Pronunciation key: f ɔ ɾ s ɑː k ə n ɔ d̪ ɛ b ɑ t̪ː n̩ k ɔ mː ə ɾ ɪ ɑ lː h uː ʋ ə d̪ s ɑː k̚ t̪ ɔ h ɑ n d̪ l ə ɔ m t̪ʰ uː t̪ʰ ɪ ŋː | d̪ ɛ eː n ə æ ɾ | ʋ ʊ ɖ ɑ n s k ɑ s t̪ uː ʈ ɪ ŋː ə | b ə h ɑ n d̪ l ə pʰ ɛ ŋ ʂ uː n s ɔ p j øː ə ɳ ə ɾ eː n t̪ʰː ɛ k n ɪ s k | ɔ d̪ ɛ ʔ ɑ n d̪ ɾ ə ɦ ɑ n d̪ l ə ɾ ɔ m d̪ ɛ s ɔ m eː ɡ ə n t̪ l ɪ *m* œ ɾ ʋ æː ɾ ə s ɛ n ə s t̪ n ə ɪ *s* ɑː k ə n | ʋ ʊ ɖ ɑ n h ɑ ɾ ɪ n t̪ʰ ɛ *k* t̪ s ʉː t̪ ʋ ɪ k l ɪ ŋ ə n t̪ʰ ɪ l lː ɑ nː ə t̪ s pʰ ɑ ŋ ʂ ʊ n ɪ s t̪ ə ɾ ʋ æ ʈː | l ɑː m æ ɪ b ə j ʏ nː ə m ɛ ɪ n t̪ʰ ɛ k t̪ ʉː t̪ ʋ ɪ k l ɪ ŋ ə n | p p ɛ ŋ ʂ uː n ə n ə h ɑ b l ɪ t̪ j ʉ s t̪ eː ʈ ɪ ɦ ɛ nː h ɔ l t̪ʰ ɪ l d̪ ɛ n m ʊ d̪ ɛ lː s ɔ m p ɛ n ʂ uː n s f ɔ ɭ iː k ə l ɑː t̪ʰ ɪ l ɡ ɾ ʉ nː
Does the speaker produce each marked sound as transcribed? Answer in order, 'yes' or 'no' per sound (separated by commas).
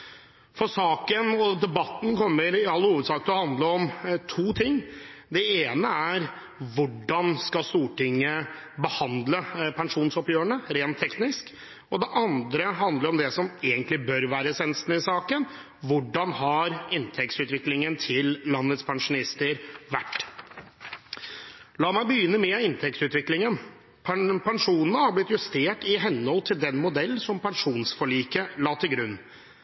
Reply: no, yes, yes